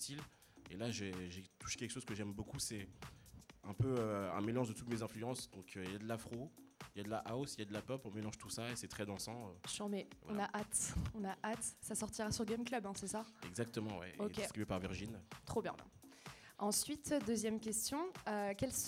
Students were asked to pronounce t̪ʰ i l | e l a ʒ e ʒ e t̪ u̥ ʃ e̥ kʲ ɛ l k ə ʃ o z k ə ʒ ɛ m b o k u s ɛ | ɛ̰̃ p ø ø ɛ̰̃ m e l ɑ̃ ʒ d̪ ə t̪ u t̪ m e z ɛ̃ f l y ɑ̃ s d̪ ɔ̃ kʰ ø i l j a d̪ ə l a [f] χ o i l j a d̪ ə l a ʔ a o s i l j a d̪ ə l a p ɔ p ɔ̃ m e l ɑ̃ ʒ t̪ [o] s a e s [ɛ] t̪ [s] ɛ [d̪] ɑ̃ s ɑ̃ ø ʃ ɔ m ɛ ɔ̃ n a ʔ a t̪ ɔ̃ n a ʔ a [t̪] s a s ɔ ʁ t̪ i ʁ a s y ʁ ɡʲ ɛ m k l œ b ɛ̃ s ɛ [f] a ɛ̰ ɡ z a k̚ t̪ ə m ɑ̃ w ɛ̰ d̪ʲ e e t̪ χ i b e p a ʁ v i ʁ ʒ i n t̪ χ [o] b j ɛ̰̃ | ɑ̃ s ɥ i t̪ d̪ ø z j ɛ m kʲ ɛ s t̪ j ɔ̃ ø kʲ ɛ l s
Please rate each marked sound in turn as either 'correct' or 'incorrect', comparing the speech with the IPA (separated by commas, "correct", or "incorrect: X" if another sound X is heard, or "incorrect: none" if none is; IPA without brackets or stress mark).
correct, incorrect: u, correct, incorrect: χ, correct, correct, incorrect: s, correct